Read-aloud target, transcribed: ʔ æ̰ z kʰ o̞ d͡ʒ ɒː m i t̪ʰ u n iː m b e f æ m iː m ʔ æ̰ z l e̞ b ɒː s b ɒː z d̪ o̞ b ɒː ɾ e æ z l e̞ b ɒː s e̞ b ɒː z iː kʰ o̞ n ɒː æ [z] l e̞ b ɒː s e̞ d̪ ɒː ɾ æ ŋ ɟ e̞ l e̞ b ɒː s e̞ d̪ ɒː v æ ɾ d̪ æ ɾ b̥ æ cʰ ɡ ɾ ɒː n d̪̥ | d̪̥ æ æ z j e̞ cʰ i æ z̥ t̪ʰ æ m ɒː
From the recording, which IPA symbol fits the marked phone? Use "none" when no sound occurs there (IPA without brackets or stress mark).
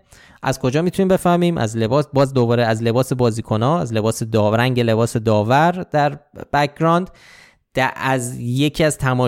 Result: z